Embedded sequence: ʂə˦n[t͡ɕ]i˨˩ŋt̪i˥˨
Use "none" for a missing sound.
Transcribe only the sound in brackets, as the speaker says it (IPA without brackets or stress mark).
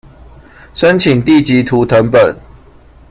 t͡ɕʰ